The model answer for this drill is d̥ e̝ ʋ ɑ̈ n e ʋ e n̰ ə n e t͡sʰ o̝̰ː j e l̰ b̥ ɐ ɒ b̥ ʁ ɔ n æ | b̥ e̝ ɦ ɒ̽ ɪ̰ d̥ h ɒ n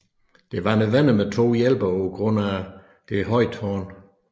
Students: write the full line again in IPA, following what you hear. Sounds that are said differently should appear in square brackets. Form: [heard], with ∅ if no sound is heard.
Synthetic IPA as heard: d̥ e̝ ʋ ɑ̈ n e ʋ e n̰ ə [m] e t͡sʰ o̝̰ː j e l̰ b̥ ɐ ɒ [ɡ̥] ʁ ɔ n æ | [d̥] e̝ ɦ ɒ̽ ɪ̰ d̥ h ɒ n

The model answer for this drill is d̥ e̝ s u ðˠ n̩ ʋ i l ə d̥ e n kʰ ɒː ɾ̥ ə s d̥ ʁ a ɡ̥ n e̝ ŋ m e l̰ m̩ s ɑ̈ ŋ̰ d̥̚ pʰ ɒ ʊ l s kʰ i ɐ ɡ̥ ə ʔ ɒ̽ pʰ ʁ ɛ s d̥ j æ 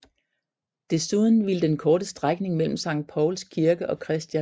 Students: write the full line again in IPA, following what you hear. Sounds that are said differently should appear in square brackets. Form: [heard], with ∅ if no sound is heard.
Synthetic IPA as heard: d̥ e̝ s u ðˠ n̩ ʋ i l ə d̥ e n kʰ ɒː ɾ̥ ə s d̥ ʁ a ɡ̥ n e̝ ŋ m e l̰ m̩ s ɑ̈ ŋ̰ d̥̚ pʰ ɒ ʊ l s kʰ i ɐ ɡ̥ ə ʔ ɒ̽ [kʰ] ʁ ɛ s d̥ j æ

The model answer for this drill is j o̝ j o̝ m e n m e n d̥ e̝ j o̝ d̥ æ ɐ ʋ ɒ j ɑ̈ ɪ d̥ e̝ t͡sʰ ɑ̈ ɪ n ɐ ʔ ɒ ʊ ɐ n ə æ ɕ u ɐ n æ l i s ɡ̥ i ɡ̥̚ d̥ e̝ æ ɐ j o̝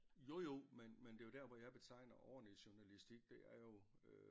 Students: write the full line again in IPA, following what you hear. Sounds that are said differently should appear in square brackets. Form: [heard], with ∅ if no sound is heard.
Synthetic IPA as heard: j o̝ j o̝ m e n m e n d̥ e̝ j o̝ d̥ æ ɐ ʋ ɒ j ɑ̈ ɪ [b̥] e̝ t͡sʰ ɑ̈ ɪ n ɐ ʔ ɒ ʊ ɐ n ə [i] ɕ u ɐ n æ l i s [d̥] i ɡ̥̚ d̥ e̝ æ ɐ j o̝

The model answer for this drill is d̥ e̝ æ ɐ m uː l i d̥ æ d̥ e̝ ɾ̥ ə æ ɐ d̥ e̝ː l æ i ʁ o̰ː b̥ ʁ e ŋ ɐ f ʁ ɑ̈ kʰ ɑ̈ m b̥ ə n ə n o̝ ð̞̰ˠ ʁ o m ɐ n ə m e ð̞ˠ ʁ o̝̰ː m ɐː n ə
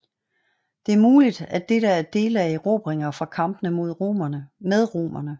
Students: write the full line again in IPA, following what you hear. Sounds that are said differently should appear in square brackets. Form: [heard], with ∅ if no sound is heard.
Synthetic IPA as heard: d̥ e̝ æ ɐ m uː l i d̥ æ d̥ e̝ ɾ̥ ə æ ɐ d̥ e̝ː l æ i ʁ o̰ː b̥ ʁ e ŋ ɐ f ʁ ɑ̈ kʰ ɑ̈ m b̥ ə n ə [m] o̝ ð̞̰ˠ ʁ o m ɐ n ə m e ð̞ˠ ʁ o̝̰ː m [ɐ] n ə

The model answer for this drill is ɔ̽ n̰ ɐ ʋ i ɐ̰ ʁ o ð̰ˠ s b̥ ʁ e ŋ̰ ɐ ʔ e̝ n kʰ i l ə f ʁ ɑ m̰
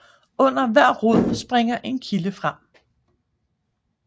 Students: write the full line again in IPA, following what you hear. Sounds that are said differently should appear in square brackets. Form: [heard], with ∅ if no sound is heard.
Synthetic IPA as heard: ɔ̽ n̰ ɐ ʋ [æ] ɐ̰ ʁ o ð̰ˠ s b̥ ʁ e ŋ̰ ɐ ʔ e̝ n kʰ i l ə f ʁ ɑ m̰

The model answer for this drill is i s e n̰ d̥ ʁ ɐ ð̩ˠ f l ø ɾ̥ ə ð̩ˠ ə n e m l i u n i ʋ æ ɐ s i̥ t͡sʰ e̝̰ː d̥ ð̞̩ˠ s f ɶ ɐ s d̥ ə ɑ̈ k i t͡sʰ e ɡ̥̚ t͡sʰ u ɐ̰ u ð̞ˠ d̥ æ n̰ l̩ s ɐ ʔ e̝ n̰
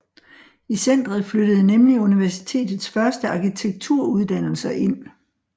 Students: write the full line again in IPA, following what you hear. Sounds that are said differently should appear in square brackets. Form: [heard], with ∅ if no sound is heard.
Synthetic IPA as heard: i s e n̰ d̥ ʁ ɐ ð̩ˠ f l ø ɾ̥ ə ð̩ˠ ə n e m l i u n i ʋ æ ɐ s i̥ t͡sʰ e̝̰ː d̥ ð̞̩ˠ s f ɶ ɐ s d̥ ə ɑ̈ k i t͡sʰ e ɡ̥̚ t͡sʰ u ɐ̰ u ð̞ˠ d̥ æ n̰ l̩ s ɐ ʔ e̝ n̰

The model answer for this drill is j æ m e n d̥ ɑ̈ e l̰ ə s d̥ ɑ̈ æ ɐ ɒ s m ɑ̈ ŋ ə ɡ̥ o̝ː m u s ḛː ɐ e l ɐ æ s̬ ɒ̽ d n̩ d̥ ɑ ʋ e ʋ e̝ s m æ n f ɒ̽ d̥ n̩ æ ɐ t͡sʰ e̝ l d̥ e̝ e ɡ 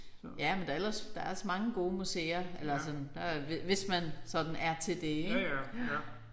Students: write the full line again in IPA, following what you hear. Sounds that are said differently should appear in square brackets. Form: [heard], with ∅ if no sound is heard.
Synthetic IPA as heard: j æ m e n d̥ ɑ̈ e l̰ [ɐ] s d̥ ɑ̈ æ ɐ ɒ s m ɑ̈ ŋ ə ɡ̥ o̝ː m u s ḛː ɐ e l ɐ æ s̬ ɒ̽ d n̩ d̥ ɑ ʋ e ʋ e̝ s m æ n [s] ɒ̽ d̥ n̩ æ ɐ t͡sʰ e̝ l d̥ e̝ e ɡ

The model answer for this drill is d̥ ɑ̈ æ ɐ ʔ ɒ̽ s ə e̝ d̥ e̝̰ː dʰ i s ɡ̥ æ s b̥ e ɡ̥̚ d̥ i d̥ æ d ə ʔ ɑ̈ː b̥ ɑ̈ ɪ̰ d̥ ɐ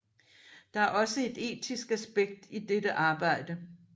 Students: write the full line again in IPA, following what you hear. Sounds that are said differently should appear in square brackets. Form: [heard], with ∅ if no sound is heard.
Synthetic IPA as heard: d̥ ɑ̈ æ ɐ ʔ ɒ̽ s ə e̝ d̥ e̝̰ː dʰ i s ɡ̥ æ s b̥ e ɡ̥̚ d̥ i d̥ [e] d ə ʔ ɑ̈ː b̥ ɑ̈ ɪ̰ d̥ [ə]

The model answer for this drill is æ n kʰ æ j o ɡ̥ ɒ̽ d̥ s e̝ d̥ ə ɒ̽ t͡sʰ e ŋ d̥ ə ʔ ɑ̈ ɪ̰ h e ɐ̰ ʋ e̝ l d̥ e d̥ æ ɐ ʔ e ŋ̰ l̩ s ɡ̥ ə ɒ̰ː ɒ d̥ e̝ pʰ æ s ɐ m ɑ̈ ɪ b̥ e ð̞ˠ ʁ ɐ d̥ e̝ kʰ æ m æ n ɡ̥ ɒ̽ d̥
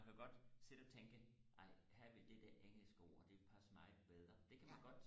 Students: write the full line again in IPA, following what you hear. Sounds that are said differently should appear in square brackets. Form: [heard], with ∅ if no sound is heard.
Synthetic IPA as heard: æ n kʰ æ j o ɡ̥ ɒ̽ d̥ s e̝ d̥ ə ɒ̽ t͡sʰ e ŋ [ɡ̥] ə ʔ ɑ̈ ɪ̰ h [æ] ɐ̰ ʋ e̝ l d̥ e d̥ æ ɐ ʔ e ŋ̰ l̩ s ɡ̥ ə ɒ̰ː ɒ d̥ e̝ pʰ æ s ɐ m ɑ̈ ɪ b̥ e ð̞ˠ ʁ ɐ d̥ e̝ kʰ æ m æ n ɡ̥ ɒ̽ d̥

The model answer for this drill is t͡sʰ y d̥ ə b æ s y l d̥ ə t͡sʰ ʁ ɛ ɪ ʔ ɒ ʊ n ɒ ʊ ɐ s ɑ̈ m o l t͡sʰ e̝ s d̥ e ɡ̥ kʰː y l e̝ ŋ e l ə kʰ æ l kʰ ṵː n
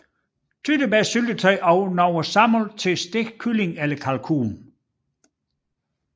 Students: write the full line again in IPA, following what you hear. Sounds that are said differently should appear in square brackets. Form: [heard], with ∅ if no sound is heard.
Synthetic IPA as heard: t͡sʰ y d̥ ə b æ s y l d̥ ə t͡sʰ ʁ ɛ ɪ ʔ ɒ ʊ n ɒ ʊ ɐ s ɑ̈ m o l t͡sʰ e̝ s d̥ e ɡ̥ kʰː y l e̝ ŋ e l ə kʰ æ l kʰ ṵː n

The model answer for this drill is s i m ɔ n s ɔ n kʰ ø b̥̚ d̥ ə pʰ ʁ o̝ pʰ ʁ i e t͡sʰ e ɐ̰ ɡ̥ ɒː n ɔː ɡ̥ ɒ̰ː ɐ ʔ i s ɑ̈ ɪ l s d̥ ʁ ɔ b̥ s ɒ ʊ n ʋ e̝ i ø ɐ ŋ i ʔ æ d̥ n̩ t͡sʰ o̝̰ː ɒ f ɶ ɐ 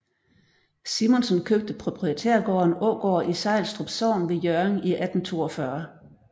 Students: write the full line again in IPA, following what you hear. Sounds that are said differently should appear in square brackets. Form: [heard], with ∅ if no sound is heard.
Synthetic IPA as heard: s i m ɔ n s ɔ n kʰ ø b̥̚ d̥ ə pʰ ʁ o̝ pʰ ʁ i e t͡sʰ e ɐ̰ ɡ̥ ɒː n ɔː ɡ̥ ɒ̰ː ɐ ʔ i s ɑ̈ ɪ l s d̥ ʁ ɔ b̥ s ɒ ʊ n ʋ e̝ [j] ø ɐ ŋ i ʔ æ d̥ n̩ t͡sʰ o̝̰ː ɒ f ɶ ɐ

